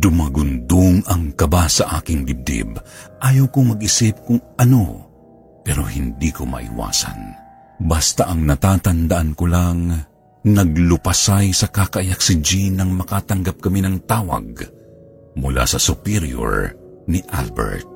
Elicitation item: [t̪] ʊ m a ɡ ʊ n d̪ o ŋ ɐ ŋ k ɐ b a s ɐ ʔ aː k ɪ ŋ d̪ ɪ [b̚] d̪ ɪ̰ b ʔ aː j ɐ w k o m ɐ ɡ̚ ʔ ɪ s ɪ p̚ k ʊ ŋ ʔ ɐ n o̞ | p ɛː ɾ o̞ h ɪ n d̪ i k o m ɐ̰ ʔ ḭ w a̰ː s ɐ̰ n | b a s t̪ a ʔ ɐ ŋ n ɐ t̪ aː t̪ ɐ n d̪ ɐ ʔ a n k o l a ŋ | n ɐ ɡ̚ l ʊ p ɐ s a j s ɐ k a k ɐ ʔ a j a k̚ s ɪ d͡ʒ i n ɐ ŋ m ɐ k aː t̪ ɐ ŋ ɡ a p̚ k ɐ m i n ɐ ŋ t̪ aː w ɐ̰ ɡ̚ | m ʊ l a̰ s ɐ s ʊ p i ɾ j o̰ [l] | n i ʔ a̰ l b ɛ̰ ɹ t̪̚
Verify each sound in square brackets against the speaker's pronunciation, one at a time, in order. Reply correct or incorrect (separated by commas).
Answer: incorrect, correct, incorrect